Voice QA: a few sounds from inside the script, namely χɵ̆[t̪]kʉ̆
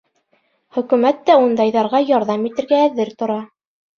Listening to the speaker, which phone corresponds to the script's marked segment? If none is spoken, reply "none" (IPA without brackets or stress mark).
none